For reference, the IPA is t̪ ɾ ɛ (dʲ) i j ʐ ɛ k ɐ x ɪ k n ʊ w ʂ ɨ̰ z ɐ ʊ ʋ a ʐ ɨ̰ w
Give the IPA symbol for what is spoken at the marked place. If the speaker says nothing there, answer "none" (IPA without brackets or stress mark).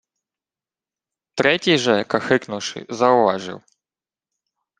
tʲ